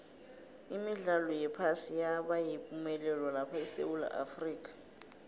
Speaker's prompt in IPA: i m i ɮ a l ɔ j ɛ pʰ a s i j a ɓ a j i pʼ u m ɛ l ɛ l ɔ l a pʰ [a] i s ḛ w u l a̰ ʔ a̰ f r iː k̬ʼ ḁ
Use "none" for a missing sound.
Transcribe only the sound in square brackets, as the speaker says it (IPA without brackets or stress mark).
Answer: a